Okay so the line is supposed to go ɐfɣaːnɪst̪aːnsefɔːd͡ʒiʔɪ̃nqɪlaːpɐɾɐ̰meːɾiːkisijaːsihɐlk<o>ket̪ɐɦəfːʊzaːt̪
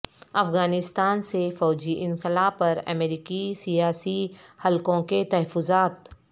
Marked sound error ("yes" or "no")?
yes